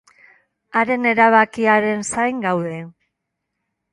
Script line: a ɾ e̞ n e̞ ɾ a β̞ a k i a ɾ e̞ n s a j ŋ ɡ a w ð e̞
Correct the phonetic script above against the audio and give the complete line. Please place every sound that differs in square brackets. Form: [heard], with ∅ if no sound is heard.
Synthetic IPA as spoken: a ɾ e̞ n e̞ ɾ a β̞ a k i a ɾ e̞ n s a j ŋ ɡ a w ð e̞

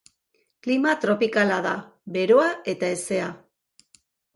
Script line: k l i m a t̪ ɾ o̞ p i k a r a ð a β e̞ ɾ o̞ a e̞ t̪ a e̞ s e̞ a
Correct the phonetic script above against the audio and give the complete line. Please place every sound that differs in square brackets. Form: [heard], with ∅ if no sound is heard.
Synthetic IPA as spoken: k l i m a t̪ ɾ o̞ p i k a [l] a ð a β e̞ ɾ o̞ a e̞ t̪ a e̞ s e̞ a

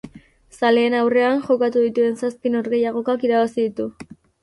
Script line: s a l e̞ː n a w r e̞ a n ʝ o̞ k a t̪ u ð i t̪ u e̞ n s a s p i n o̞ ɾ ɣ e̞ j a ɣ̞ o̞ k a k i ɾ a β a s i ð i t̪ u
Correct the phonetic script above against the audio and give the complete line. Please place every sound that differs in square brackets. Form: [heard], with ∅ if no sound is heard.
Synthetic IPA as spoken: s a l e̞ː n a w r e̞ a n ʝ o̞ k a t̪ u ð i t̪ u e̞ n s a s p i n o̞ ɾ ɣ e̞ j a ɣ̞ o̞ k a k i ɾ a β a s i ð i t̪ u

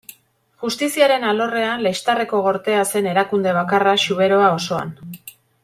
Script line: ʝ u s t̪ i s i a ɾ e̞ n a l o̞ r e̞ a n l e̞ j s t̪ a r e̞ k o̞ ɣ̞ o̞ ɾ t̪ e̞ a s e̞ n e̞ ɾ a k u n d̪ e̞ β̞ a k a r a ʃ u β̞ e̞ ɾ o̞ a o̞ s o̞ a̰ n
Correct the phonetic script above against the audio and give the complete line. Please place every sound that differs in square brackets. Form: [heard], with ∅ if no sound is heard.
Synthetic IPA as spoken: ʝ u s t̪ i s i a ɾ e̞ n a l o̞ r e̞ a n l e̞ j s t̪ a r e̞ k o̞ ɣ̞ o̞ ɾ t̪ e̞ a s e̞ n e̞ ɾ a k u n d̪ e̞ β̞ a k a r a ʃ u β̞ e̞ ɾ o̞ a o̞ s o̞ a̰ n

